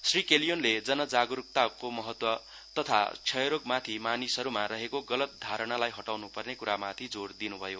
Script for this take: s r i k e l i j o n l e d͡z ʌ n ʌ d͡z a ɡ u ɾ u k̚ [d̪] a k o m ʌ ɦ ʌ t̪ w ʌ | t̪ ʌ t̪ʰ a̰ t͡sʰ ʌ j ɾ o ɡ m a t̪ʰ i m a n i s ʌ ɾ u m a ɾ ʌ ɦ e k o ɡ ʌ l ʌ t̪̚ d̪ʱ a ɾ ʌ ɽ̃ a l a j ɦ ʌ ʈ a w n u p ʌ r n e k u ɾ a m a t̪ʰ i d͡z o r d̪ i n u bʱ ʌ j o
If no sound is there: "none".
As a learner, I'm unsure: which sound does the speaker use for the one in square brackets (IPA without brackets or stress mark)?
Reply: t̪